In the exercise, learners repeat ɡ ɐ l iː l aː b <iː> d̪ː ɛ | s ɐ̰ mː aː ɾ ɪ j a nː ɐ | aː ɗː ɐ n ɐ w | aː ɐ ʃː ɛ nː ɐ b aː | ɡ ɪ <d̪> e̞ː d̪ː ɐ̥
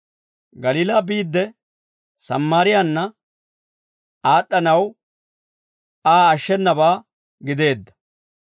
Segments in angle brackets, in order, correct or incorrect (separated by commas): correct, correct